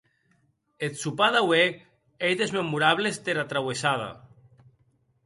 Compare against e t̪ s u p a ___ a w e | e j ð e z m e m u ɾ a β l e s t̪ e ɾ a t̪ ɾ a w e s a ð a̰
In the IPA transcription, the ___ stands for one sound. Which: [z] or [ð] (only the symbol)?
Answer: ð